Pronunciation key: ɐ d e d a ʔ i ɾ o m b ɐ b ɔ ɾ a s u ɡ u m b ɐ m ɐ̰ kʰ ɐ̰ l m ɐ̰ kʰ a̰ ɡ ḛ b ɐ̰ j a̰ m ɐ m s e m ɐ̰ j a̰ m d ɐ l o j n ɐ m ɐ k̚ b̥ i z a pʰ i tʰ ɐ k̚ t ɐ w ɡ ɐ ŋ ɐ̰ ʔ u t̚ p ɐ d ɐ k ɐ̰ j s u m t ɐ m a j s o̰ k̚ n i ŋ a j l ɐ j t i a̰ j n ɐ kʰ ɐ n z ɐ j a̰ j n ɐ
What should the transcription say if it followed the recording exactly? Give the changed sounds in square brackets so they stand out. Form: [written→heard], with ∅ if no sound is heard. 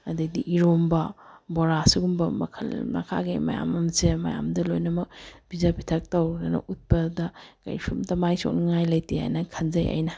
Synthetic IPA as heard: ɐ d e d [a→i] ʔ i ɾ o m b ɐ b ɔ ɾ a s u ɡ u m b ɐ m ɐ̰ kʰ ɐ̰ l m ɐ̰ kʰ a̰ ɡ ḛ [b→m] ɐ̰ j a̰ m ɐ m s e m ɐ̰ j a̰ m d ɐ l o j n ɐ m ɐ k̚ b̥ i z a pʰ i tʰ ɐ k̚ t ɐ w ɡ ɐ [ŋ→n] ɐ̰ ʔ u t̚ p ɐ d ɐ k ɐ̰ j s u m t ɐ m a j s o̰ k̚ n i ŋ a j l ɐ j t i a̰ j n ɐ kʰ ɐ n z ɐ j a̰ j n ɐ